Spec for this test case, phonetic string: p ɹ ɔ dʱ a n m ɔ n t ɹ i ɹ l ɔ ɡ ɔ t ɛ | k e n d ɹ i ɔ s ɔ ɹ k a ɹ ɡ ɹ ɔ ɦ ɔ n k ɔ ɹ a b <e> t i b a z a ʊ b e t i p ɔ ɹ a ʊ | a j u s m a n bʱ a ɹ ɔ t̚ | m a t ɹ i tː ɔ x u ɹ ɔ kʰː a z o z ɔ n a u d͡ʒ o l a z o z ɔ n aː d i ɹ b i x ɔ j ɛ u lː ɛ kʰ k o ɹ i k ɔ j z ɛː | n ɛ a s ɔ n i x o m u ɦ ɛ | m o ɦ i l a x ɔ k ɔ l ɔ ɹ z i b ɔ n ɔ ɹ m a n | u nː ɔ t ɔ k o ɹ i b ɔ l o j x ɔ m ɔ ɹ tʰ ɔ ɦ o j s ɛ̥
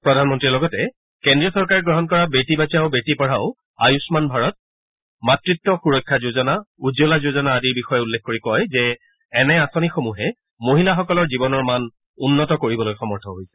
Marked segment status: correct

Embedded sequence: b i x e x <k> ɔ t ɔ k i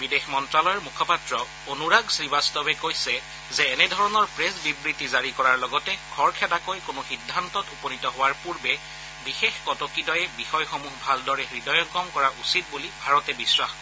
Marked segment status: correct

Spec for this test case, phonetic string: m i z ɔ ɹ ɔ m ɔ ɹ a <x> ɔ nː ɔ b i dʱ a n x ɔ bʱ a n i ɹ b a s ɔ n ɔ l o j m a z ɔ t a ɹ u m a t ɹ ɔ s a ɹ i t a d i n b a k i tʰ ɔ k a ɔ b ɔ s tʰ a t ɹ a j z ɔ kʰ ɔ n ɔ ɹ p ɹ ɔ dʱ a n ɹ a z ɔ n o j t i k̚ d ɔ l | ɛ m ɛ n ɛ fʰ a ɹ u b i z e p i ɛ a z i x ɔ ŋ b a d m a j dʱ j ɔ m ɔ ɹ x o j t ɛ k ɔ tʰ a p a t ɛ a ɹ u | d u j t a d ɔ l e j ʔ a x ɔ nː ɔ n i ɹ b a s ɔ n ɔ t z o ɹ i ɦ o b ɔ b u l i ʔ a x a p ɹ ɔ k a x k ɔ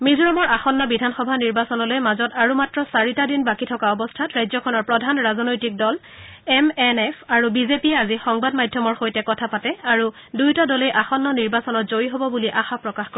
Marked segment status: correct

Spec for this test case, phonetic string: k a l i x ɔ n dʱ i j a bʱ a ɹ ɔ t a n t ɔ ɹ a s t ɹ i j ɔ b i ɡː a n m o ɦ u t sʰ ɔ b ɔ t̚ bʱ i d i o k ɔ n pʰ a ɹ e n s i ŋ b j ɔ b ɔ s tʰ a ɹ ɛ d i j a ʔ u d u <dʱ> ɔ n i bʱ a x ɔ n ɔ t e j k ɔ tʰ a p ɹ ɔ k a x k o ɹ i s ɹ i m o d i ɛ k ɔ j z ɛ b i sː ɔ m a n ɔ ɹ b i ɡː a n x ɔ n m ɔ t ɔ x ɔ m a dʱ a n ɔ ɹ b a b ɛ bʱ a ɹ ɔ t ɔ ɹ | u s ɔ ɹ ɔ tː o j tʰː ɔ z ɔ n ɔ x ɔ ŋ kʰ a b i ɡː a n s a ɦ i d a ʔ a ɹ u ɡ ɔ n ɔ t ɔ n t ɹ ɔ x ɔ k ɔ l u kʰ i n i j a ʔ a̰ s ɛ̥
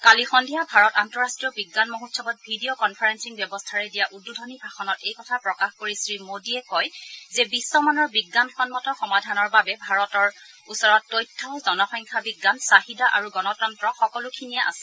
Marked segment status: correct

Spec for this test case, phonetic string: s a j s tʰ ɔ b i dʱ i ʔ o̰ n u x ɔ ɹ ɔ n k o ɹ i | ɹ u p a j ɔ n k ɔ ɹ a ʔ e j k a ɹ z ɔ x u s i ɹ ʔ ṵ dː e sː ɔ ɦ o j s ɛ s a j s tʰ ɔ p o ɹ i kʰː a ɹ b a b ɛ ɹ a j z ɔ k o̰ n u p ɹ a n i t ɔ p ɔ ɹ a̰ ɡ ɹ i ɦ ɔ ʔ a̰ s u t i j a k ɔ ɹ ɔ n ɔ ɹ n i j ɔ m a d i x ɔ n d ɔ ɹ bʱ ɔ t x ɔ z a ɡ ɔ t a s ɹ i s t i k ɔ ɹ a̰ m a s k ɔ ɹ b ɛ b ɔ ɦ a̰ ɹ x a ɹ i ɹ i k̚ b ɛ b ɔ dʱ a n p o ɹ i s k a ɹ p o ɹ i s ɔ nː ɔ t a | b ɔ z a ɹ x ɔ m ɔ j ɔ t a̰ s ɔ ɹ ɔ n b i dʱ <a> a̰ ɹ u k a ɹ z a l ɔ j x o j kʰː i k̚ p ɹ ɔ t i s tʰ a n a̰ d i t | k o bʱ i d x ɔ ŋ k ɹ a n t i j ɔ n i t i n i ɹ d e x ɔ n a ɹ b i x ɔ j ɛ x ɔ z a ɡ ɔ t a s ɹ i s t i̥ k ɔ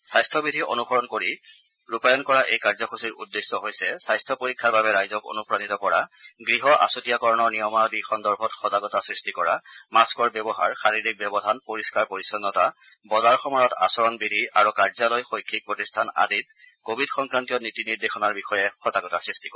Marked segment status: incorrect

